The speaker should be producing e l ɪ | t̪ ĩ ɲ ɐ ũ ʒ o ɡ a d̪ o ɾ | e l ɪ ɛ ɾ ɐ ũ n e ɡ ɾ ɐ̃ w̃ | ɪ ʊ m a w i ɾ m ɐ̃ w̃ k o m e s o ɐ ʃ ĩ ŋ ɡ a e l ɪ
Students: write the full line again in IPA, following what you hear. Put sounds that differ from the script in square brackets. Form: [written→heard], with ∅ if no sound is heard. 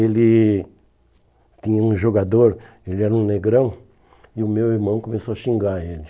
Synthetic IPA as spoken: e l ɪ | t̪ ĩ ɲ ɐ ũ ʒ o ɡ a d̪ o ɾ | e l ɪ ɛ ɾ ɐ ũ n e ɡ ɾ ɐ̃ w̃ | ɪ ʊ m [a→e] w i ɾ m ɐ̃ w̃ k o m e s o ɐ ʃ ĩ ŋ ɡ a e l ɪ